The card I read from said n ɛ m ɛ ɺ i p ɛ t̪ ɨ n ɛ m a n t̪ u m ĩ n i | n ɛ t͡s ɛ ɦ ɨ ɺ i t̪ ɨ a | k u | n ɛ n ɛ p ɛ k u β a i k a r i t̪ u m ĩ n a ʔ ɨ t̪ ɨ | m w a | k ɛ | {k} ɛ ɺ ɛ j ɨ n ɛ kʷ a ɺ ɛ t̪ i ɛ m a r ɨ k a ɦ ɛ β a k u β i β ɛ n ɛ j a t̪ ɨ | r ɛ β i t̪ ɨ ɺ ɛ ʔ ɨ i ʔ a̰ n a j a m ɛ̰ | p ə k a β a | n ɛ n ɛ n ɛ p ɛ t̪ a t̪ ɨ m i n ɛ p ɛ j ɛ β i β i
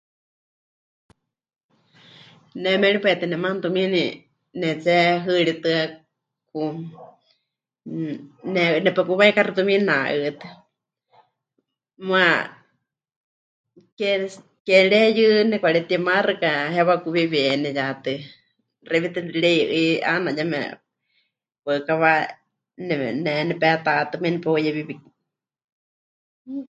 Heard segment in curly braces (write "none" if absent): k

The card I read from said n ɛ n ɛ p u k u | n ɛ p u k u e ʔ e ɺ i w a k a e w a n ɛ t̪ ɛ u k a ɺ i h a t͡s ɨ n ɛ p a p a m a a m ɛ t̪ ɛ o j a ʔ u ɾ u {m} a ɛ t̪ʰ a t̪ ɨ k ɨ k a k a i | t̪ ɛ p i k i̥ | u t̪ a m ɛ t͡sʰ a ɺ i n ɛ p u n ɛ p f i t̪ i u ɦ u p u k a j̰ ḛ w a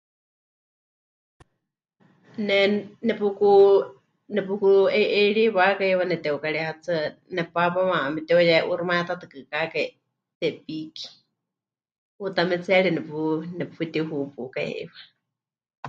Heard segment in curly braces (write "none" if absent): m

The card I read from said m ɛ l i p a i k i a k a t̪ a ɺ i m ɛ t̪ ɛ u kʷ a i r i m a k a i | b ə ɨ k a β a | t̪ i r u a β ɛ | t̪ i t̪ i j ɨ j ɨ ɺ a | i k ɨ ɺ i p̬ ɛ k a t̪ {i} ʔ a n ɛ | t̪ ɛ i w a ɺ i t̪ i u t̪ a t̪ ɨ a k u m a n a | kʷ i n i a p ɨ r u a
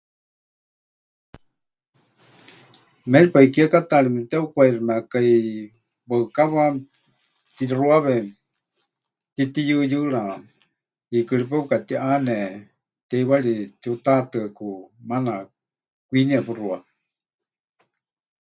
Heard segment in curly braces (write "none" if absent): i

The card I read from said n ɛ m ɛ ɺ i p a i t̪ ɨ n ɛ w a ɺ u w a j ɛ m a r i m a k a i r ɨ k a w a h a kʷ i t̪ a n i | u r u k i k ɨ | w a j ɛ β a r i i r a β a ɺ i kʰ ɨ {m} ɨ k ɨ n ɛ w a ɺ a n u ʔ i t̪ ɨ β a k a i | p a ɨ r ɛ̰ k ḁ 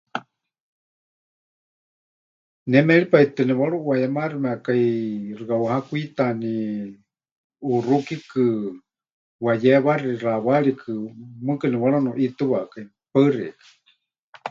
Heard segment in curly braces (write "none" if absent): m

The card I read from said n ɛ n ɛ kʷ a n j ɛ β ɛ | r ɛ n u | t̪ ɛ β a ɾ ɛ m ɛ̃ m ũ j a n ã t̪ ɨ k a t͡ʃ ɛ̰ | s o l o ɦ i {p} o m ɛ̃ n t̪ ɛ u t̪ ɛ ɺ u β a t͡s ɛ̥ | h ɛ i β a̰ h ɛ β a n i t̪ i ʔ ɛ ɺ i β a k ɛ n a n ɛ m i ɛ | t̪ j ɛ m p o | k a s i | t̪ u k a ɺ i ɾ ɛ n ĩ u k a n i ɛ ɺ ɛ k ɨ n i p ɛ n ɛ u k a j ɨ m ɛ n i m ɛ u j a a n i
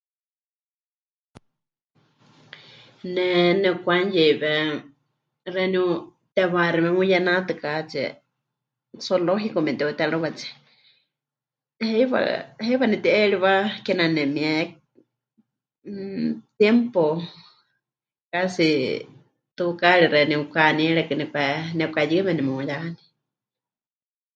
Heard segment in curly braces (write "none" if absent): k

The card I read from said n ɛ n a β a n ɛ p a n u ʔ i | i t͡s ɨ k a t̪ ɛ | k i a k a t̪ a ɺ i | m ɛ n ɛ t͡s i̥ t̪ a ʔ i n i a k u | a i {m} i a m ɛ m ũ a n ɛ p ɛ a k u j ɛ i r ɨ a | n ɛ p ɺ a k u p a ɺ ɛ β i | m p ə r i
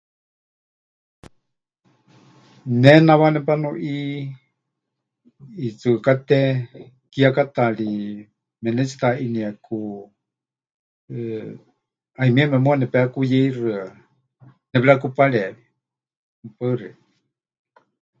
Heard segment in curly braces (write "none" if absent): m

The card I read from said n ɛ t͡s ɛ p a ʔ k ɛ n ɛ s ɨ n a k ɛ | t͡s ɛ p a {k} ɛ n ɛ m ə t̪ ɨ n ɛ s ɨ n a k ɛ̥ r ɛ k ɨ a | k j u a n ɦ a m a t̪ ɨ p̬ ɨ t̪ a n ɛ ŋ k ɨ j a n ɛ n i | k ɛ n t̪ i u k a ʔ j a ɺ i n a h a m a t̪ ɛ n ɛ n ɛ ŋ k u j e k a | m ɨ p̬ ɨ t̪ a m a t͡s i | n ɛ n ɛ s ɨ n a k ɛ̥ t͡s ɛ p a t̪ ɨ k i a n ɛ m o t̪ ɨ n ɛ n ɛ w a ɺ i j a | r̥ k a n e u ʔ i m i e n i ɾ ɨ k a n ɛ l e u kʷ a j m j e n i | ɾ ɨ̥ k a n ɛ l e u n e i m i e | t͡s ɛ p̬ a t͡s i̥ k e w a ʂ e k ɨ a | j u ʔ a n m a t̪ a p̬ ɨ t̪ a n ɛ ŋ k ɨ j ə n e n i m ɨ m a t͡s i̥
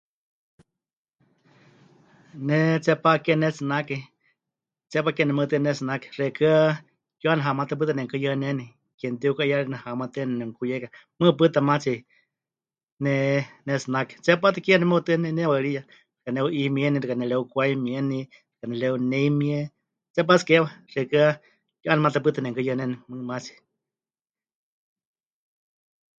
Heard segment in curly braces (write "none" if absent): k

